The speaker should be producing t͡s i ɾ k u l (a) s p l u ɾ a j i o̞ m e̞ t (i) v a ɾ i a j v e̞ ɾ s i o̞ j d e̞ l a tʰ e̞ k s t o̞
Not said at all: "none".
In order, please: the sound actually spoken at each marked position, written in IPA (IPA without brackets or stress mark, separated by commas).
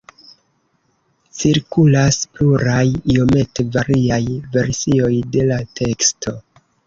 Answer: a, e